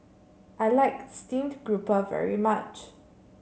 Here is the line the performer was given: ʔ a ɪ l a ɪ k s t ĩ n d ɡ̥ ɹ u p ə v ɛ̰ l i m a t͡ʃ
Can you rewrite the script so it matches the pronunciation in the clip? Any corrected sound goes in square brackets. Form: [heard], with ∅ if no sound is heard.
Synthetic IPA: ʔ a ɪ l a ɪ k s t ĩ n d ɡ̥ ɹ u p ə v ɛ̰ [ɹ] i m a t͡ʃ